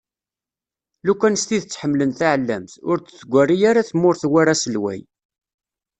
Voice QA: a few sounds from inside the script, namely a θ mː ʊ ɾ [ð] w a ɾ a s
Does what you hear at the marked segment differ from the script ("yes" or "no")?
yes